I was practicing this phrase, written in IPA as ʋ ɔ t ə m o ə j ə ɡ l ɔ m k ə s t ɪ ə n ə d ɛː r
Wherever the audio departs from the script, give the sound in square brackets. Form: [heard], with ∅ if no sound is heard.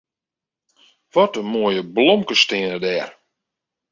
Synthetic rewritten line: ʋ ɔ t ə m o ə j ə [b] l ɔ m k ə s t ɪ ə n ə d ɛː r